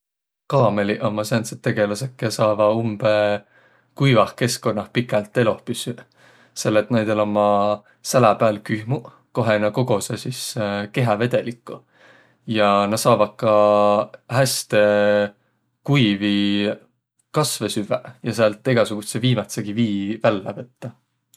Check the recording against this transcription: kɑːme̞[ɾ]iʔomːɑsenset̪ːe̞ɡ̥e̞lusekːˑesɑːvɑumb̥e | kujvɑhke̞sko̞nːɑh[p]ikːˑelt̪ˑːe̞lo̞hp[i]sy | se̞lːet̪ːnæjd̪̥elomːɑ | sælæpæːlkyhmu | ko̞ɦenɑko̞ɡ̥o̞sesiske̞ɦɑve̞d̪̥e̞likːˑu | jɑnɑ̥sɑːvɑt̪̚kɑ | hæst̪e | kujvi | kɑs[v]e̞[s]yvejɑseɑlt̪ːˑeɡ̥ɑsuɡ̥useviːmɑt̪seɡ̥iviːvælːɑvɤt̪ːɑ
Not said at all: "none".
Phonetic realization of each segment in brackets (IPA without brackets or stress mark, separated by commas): l, p, y, v, s